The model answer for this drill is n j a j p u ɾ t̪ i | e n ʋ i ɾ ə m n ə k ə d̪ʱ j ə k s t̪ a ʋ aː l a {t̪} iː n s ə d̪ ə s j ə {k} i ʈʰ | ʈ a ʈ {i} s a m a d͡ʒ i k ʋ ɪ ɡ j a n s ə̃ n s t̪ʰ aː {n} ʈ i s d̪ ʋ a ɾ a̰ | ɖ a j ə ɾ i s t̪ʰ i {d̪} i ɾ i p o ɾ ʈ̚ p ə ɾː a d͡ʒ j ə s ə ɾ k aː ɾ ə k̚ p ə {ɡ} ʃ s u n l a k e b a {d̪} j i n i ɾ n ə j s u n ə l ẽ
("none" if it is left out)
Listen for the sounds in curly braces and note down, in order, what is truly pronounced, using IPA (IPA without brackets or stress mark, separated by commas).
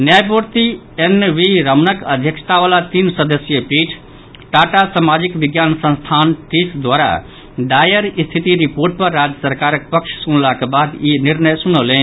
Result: t̪, p, a, n, t̪, k, d̪